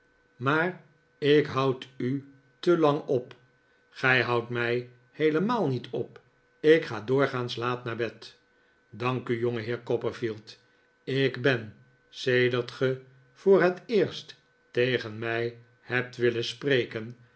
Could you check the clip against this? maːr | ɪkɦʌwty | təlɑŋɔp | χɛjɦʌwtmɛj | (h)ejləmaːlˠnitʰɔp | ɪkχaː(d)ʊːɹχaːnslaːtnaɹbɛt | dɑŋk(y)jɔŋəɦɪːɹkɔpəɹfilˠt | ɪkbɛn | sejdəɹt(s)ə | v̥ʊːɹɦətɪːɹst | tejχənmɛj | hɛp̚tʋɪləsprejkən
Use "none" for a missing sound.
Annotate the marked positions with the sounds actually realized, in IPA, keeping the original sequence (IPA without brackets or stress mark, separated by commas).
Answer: h, d, y, χ